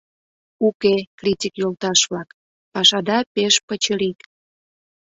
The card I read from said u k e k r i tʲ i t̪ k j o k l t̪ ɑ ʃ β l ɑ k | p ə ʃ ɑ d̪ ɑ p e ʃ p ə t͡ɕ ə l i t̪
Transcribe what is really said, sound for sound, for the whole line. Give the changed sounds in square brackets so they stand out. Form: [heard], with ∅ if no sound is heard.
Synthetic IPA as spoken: u k e k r i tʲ i [∅] k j o [∅] l t̪ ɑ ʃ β l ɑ k | p [ɑ] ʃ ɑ d̪ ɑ p e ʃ p ə t͡ɕ ə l i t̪